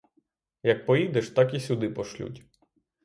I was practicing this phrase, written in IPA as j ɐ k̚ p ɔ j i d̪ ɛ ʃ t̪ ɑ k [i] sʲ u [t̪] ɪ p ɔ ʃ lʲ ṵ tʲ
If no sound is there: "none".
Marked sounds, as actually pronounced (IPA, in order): i, d̪

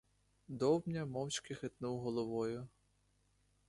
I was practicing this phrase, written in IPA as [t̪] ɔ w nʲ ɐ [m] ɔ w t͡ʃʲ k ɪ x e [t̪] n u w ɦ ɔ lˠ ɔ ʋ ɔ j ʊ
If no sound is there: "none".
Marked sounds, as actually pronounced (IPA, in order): d̪, m, t̪

